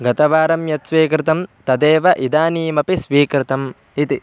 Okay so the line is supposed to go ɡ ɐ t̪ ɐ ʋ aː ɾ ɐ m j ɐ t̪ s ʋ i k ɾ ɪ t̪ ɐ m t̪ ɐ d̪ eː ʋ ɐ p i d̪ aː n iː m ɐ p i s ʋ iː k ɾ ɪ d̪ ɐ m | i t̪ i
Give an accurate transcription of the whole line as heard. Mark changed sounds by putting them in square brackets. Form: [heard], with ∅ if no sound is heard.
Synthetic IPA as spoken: ɡ ɐ t̪ ɐ ʋ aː ɾ ɐ m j ɐ t̪ s ʋ [iː] k ɾ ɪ t̪ ɐ m t̪ ɐ d̪ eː ʋ ɐ [ʔ] i d̪ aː n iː m ɐ p i s ʋ iː k ɾ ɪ [t̪] ɐ m | i t̪ i